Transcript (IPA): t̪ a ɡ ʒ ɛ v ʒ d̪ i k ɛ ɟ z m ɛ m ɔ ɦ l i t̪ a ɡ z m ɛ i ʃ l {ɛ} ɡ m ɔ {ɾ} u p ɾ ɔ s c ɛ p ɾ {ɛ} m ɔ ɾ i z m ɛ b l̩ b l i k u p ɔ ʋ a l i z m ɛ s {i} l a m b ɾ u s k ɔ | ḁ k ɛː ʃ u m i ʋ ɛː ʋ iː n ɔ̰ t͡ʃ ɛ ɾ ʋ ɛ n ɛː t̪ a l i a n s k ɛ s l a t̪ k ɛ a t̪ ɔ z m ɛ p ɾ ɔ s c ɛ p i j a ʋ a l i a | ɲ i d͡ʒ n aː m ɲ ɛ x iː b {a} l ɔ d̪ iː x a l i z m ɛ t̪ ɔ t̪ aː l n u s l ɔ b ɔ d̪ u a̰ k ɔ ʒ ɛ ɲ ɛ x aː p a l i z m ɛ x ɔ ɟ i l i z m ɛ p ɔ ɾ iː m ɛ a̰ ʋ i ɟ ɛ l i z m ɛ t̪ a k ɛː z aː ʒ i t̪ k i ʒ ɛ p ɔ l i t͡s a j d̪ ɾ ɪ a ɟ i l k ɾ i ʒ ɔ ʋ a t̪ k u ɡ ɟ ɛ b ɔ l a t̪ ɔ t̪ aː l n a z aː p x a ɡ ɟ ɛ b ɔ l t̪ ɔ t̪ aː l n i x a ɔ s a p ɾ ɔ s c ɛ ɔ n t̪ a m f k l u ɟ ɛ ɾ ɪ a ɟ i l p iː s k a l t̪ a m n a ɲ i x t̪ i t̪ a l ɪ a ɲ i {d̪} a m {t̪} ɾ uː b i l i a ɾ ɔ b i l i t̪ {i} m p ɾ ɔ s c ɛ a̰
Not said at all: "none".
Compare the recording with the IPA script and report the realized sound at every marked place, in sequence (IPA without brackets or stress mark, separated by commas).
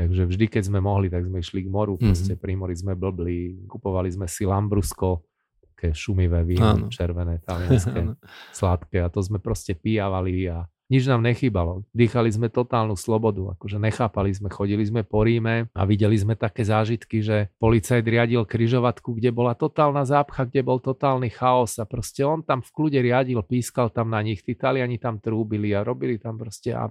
i, ɾ, i, i, a, t̪, t̪, a